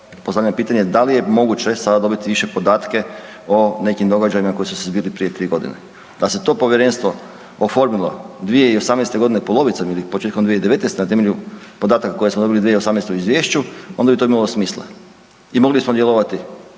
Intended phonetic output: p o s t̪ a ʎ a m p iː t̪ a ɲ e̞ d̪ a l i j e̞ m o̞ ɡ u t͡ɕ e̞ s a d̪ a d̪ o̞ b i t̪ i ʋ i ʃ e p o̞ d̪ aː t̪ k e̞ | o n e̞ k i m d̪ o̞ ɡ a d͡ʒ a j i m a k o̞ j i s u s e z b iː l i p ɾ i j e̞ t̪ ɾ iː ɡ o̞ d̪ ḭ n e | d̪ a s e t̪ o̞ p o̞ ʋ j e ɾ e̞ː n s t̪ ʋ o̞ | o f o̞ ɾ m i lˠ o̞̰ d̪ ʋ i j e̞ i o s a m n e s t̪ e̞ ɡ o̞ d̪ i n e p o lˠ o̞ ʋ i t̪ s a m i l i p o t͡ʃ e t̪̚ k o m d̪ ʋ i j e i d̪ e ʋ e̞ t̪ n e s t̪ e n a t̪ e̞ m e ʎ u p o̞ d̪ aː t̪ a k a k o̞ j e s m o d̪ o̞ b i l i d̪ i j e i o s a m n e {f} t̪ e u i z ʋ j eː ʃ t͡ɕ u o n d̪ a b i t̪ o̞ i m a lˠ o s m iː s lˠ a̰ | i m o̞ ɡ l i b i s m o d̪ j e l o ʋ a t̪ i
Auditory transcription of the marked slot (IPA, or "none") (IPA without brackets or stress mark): s